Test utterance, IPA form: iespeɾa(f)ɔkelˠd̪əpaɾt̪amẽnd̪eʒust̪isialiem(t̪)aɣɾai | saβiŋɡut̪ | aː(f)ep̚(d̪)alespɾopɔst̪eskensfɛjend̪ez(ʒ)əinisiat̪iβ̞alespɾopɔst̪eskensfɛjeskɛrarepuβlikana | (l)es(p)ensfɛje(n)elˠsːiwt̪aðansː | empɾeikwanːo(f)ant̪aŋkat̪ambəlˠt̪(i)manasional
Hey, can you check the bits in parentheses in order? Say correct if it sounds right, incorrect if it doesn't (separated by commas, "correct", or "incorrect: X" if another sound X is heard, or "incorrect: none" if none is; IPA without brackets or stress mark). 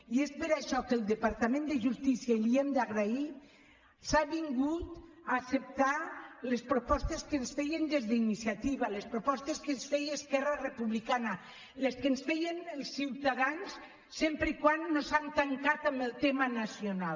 incorrect: ʃ, incorrect: d̪, incorrect: s, incorrect: t̪, incorrect: ð, correct, incorrect: k, correct, incorrect: s, incorrect: e